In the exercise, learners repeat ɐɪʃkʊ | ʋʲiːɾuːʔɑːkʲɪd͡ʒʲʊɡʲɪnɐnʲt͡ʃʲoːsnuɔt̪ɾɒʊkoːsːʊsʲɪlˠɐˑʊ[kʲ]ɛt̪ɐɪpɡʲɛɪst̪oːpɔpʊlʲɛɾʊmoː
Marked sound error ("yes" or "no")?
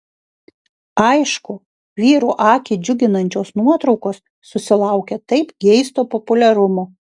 no